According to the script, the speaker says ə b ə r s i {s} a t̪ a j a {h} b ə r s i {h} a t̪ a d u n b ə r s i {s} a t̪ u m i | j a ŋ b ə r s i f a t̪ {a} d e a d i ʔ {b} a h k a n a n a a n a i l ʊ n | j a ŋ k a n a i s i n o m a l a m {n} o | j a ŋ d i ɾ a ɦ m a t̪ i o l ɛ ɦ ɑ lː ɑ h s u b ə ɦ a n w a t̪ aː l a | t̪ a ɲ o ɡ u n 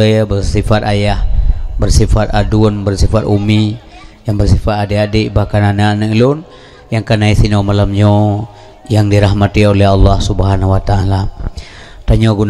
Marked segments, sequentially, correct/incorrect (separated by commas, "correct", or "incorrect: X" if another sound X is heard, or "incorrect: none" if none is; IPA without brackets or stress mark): incorrect: f, correct, incorrect: f, incorrect: f, correct, correct, incorrect: ɲ